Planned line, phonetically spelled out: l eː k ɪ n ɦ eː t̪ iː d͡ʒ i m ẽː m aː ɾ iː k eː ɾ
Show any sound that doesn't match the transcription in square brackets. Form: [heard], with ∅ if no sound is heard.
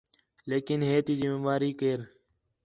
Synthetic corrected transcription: l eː k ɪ n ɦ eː t̪ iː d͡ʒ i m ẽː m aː ɾ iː k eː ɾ